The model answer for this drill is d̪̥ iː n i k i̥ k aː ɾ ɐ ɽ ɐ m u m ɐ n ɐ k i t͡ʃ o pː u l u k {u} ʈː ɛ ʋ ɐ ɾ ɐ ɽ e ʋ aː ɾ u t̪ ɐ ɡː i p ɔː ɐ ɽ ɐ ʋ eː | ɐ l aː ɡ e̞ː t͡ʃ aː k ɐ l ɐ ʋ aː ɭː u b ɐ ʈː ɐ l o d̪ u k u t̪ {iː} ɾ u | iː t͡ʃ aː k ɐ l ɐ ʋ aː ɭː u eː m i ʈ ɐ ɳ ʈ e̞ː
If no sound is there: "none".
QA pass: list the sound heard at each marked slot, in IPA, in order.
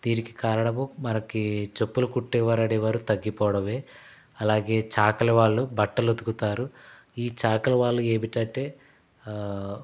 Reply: u, aː

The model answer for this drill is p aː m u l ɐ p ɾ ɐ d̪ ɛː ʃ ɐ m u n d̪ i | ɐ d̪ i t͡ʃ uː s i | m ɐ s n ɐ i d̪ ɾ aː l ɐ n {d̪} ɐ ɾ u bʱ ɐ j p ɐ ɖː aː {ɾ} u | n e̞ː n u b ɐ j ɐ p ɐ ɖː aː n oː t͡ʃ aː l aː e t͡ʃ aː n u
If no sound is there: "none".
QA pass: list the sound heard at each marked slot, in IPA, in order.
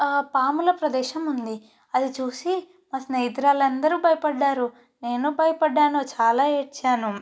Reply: d̪, ɾ

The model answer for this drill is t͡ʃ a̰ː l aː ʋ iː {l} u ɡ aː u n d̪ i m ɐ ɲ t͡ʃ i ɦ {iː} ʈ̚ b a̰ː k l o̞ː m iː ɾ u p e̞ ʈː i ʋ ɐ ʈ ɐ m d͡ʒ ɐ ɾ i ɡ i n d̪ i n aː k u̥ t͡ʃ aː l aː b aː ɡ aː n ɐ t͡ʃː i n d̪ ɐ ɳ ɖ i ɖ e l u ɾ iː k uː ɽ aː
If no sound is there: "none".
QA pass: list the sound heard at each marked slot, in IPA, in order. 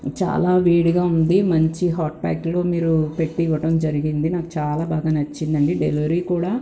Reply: ɽ, aː

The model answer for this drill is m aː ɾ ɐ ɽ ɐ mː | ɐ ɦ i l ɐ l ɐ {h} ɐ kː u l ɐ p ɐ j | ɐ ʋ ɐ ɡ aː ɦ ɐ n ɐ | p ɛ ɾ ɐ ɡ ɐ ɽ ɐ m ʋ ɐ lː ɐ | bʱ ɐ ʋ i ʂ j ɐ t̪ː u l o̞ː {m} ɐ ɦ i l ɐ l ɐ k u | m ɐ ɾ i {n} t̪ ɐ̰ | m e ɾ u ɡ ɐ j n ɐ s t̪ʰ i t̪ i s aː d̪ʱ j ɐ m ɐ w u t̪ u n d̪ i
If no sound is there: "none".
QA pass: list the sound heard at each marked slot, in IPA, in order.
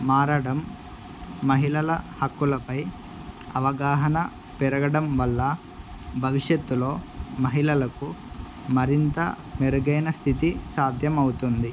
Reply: h, m, n

